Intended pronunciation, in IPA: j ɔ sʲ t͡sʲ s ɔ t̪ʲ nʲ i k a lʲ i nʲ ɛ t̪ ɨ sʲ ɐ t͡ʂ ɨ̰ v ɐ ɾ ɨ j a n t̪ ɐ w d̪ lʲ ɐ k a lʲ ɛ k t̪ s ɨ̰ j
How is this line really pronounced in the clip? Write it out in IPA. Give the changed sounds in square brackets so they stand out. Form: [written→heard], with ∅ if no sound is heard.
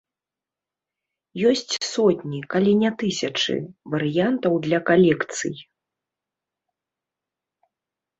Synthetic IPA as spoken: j ɔ sʲ t͡sʲ s ɔ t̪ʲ nʲ i k a lʲ i nʲ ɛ t̪ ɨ sʲ ɐ t͡ʂ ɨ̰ v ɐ ɾ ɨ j a n t̪ ɐ w d̪ lʲ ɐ k a lʲ ɛ k t̪ s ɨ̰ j